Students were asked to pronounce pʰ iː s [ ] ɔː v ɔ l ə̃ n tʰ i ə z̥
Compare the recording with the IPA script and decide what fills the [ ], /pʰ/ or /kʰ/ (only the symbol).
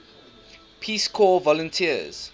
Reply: kʰ